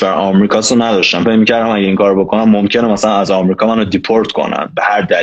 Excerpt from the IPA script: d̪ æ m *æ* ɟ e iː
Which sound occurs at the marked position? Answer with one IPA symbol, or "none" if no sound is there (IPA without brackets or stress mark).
æ